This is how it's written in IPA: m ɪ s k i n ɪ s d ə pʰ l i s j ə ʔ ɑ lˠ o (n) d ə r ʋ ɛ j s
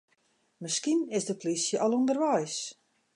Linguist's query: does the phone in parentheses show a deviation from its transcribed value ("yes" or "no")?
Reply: no